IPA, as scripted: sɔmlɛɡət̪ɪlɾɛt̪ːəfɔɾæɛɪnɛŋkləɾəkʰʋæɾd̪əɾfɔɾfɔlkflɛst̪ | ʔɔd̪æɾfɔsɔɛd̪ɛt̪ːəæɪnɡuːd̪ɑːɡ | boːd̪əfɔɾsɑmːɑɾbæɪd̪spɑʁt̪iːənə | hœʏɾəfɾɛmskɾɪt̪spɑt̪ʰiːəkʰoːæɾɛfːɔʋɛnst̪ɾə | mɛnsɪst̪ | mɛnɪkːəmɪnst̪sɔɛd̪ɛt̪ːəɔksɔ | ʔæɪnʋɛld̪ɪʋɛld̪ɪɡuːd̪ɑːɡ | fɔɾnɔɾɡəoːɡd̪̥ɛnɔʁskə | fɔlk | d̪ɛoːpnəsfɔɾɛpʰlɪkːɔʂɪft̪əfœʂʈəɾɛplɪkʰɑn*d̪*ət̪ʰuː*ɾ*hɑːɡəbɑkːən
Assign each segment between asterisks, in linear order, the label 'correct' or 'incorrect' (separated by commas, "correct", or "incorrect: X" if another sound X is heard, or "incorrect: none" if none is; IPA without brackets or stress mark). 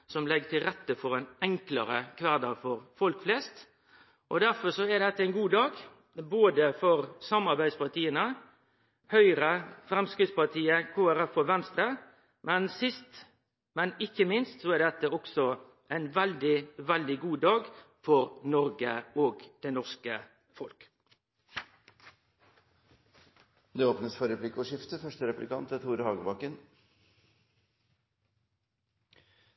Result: incorrect: t̪, correct